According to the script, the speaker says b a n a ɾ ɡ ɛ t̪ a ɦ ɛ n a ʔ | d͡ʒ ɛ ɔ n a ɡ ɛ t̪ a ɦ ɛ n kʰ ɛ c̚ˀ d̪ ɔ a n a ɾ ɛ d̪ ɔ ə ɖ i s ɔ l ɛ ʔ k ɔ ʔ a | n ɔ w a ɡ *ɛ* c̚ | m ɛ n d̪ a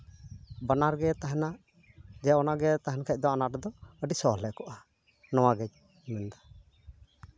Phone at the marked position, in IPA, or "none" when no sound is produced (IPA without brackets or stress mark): ɛ